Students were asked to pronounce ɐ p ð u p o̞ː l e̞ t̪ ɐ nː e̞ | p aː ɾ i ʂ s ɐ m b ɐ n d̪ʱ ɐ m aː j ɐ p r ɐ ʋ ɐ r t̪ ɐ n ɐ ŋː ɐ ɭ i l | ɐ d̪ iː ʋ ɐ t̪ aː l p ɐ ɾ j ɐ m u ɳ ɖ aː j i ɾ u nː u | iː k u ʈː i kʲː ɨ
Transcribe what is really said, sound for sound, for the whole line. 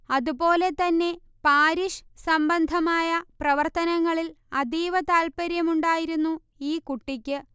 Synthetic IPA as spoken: ɐ ð u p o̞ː l e̞ t̪ ɐ nː e̞ | p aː ɾ i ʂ s ɐ m b ɐ n d̪ʱ ɐ m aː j ɐ p r ɐ ʋ ɐ r t̪ ɐ n ɐ ŋː ɐ ɭ i l | ɐ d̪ iː ʋ ɐ t̪ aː l p ɐ ɾ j ɐ m u ɳ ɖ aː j i ɾ u nː u | iː k u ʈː i kʲː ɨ

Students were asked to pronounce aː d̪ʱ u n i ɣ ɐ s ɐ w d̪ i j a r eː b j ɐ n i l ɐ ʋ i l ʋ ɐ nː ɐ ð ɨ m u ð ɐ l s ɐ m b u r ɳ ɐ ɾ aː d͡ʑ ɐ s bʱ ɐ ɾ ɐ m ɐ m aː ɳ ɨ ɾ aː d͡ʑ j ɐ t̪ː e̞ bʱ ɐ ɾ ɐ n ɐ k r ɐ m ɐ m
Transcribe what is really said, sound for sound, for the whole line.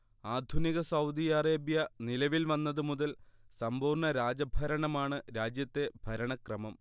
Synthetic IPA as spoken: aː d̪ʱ u n i ɣ ɐ s ɐ w d̪ i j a r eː b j ɐ n i l ɐ ʋ i l ʋ ɐ nː ɐ ð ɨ m u ð ɐ l s ɐ m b uː r ɳ ɐ ɾ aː d͡ʑ ɐ bʱ ɐ ɾ ɐ ɳ ɐ m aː ɳ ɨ ɾ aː d͡ʑ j ɐ t̪ː e̞ bʱ ɐ ɾ ɐ ɳ ɐ k r ɐ m ɐ m

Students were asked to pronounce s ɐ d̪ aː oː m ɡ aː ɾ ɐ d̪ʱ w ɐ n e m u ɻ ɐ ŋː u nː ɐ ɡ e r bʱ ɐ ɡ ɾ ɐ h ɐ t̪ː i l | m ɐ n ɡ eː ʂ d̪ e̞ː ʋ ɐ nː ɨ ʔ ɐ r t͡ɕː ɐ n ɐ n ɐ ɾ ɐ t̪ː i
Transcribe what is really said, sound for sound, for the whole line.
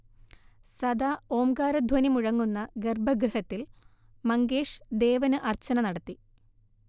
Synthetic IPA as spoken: s ɐ d̪ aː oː m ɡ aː ɾ ɐ d̪ʱ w ɐ n i m u ɻ ɐ ŋː u nː ɐ ɡ e r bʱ ɐ ɡ ɾ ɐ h ɐ t̪ː i l | m ɐ ŋ ɡ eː ʂ d̪ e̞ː ʋ ɐ n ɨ ʔ ɐ r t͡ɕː ɐ n ɐ n ɐ ɽ ɐ t̪ː i

